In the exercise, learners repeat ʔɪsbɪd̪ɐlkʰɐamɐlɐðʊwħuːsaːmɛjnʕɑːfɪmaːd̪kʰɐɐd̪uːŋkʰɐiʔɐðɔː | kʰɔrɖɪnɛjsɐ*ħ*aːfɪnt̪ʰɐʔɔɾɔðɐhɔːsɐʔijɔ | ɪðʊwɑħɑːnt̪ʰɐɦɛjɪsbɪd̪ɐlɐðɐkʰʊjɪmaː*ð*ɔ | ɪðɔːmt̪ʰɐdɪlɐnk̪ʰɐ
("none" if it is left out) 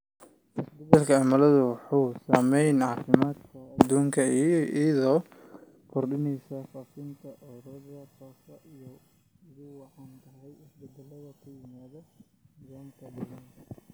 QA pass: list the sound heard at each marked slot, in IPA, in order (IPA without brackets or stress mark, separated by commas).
f, ð